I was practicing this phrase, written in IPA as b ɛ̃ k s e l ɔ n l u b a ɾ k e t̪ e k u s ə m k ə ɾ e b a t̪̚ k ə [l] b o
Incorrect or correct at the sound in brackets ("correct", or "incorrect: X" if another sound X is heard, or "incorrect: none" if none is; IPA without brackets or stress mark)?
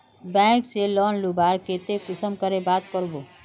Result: incorrect: ɾ